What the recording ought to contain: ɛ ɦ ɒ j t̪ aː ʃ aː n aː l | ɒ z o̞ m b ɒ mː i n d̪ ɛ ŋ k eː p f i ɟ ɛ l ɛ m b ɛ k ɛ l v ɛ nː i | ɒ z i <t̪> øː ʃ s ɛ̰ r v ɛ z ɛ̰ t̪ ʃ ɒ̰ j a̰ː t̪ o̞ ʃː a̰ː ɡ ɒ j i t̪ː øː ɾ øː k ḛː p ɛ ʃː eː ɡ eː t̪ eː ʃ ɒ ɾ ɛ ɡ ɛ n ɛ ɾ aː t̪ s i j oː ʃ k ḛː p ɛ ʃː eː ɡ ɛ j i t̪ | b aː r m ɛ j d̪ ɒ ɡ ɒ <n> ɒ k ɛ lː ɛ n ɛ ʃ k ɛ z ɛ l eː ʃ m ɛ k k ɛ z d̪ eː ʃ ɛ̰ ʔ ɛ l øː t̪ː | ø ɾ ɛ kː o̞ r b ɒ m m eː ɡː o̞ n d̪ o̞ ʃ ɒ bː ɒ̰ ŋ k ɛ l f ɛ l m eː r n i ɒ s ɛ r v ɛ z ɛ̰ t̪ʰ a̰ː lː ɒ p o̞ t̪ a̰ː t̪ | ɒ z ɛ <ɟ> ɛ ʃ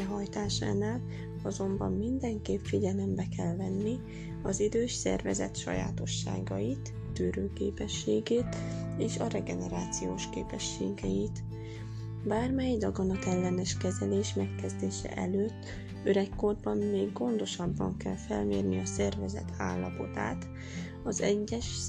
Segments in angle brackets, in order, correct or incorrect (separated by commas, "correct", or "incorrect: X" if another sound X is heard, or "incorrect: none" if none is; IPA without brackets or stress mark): incorrect: d̪, correct, incorrect: ɟː